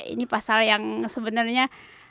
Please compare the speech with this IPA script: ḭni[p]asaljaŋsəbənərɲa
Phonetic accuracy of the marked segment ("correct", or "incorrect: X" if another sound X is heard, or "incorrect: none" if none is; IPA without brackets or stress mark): correct